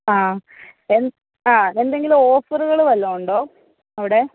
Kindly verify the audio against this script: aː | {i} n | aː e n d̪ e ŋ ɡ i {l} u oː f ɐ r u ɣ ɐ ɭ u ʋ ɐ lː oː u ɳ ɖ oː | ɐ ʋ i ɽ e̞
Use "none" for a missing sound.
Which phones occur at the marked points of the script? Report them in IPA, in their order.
e, l

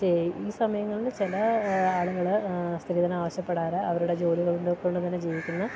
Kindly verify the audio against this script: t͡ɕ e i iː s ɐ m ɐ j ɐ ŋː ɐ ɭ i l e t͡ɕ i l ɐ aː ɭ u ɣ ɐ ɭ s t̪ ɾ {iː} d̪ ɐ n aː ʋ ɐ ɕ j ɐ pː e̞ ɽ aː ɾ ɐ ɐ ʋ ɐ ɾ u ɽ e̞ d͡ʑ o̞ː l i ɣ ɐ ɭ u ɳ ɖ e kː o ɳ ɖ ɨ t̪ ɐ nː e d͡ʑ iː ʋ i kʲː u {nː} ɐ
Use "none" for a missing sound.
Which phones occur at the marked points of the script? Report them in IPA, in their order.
iː, nː

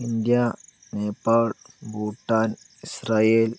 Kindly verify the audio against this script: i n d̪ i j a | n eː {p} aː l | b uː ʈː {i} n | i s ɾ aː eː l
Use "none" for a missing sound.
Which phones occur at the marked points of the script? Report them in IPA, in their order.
p, a

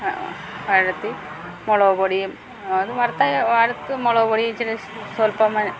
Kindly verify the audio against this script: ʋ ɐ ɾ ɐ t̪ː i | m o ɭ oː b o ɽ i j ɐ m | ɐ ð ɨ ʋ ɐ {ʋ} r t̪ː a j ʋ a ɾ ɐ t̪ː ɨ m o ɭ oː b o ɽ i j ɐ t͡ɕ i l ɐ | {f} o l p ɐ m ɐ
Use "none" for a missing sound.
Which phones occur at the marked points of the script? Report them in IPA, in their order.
none, s

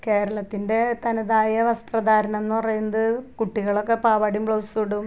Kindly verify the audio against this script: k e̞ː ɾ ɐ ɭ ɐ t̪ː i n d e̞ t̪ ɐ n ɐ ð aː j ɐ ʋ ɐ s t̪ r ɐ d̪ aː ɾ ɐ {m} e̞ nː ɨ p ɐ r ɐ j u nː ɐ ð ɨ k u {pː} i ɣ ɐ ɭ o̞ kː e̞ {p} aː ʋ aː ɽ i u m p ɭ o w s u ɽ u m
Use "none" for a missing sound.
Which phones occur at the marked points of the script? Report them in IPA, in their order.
n, ʈː, p

